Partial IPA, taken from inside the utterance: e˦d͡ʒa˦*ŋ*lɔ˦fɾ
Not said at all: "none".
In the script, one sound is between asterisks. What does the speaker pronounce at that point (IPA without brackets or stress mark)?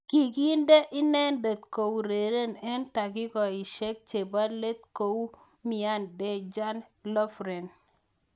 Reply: n